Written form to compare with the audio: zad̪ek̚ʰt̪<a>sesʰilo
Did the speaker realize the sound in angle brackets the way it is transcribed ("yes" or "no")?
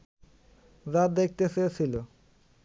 no